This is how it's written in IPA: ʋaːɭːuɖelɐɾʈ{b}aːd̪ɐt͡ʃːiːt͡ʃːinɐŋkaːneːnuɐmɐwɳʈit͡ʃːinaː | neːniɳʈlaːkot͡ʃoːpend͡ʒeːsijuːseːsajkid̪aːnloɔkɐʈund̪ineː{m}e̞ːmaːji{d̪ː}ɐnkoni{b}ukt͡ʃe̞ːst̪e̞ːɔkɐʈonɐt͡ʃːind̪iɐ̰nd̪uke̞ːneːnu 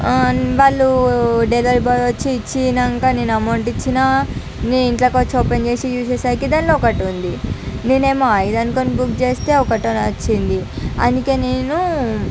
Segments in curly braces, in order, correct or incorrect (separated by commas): correct, incorrect, incorrect, correct